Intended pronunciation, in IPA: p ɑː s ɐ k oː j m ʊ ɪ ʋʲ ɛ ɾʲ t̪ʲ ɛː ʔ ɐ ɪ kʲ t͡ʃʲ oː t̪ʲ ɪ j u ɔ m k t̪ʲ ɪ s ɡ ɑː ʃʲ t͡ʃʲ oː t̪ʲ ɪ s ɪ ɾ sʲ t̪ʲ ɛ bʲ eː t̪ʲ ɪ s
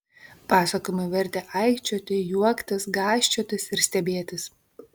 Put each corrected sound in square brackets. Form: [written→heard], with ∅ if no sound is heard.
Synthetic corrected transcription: p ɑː s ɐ k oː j m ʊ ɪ ʋʲ ɛ ɾʲ t̪ʲ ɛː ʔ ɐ ɪ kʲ t͡ʃʲ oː t̪ʲ ɪ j u ɔ [m→∅] k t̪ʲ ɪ s ɡ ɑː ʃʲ t͡ʃʲ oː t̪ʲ ɪ s ɪ ɾ sʲ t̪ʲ ɛ bʲ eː t̪ʲ ɪ s